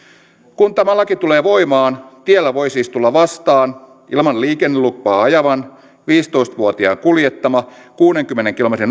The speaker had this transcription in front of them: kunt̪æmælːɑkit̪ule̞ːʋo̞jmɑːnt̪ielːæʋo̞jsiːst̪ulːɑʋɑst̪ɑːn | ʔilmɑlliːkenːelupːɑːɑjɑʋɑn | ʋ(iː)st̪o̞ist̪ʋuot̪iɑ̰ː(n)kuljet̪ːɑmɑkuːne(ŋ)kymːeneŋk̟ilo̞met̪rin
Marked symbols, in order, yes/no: yes, no, yes

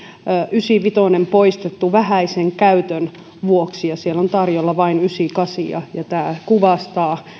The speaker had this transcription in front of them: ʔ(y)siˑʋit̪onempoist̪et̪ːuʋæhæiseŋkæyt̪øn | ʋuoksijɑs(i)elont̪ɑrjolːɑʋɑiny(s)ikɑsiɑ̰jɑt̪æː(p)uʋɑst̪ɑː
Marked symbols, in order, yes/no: yes, yes, yes, no

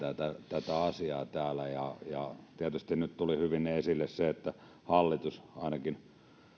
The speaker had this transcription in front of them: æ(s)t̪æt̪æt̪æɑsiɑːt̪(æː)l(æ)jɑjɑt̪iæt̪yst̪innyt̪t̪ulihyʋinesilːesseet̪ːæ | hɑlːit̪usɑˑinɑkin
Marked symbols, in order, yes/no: no, yes, yes

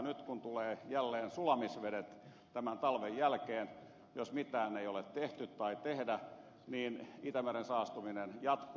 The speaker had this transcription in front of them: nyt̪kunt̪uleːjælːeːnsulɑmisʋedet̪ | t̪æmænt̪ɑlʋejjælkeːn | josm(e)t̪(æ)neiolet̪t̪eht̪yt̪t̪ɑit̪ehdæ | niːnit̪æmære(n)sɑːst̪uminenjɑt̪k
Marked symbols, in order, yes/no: no, no, yes

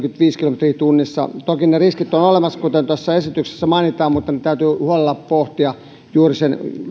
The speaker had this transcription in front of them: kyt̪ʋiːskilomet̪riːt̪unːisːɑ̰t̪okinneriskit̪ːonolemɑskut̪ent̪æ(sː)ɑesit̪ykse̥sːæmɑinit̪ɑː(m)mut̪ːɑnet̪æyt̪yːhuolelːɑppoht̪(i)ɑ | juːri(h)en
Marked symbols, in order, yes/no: yes, yes, yes, no

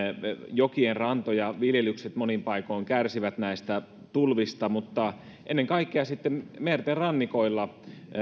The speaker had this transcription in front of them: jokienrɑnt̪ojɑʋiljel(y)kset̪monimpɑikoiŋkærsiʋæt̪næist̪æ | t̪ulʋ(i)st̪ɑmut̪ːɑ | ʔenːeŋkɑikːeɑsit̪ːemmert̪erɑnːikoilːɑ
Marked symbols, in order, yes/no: yes, yes

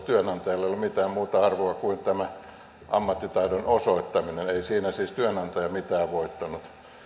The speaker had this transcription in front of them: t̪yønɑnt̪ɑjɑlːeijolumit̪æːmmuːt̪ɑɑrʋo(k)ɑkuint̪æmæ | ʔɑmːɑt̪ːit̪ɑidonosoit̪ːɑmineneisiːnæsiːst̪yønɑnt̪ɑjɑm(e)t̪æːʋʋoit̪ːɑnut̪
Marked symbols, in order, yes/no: no, no

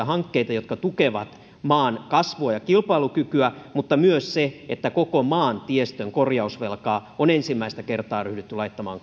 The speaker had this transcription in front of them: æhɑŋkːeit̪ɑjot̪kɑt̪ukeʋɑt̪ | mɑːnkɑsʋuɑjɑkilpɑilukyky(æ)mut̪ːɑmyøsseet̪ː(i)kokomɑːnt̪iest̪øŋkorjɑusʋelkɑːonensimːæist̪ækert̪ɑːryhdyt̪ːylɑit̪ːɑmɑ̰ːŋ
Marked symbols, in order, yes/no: yes, no

